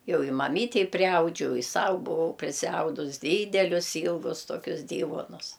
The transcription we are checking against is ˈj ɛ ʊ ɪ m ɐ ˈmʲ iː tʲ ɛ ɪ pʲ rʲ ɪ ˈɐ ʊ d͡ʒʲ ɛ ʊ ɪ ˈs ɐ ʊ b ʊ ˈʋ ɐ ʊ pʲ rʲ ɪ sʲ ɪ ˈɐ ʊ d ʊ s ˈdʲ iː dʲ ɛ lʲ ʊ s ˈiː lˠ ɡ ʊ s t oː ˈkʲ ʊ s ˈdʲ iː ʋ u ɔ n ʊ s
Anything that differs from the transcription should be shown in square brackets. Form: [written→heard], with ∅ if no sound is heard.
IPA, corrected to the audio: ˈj ɛ ʊ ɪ m ɐ ˈmʲ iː tʲ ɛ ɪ pʲ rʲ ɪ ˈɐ ʊ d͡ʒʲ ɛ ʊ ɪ ˈs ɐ ʊ b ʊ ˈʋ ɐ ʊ pʲ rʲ ɪ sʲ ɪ ˈɐ ʊ d ʊ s ˈdʲ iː dʲ ɛ lʲ ʊ s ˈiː lˠ ɡ ʊ s t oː ˈkʲ ʊ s ˈdʲ iː ʋ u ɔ n ʊ s